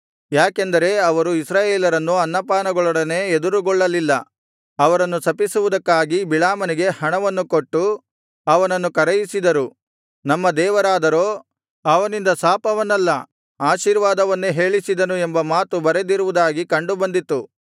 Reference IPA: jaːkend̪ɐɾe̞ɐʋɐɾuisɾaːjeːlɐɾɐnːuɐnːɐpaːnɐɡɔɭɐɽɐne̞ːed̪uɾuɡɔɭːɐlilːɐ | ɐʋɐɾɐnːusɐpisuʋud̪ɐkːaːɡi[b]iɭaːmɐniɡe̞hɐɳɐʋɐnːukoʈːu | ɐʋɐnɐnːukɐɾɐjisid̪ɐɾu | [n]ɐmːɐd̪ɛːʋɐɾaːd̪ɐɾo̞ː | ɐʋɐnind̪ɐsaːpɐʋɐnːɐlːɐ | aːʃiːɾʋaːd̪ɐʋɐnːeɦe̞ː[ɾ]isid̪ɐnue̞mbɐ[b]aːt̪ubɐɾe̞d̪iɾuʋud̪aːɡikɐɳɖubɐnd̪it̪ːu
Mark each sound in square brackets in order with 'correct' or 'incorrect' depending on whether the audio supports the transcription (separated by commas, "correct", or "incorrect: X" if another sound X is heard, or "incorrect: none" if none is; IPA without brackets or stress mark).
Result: correct, correct, incorrect: ɭ, incorrect: m